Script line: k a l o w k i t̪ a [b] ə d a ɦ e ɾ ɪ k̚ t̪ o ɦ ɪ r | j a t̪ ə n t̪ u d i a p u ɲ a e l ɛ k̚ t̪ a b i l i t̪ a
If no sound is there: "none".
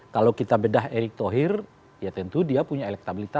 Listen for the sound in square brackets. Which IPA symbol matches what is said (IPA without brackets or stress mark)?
b